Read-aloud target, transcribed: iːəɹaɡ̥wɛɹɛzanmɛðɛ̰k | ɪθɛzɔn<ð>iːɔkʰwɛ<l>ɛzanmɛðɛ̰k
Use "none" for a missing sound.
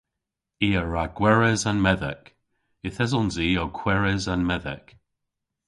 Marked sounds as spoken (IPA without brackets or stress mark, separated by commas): z, ɹ